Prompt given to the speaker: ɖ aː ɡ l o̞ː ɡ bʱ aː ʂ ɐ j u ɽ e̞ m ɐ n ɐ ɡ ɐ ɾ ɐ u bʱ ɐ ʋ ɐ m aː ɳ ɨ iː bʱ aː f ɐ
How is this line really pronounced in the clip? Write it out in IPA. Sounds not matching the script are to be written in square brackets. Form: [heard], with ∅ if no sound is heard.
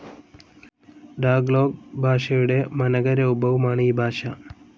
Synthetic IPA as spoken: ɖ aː ɡ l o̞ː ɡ bʱ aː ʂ ɐ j u ɽ e̞ m ɐ n ɐ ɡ ɐ ɾ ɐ u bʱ ɐ ʋ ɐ m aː ɳ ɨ iː bʱ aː [ʂ] ɐ